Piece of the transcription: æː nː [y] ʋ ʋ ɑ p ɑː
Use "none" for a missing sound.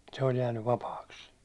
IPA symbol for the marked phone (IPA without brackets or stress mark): y